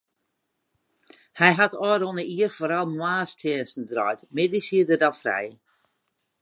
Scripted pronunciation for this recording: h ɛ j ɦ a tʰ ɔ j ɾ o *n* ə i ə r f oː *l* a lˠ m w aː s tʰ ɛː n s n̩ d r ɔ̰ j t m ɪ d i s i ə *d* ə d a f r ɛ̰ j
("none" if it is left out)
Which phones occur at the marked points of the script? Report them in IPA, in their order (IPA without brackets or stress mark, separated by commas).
n, ɾ, d